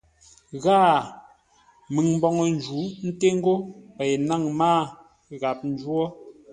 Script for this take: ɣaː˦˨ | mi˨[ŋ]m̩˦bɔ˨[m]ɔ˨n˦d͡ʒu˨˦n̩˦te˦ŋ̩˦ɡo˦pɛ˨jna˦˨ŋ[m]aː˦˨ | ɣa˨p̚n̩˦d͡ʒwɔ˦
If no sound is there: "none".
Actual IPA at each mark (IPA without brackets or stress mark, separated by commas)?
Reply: ŋ, ŋ, m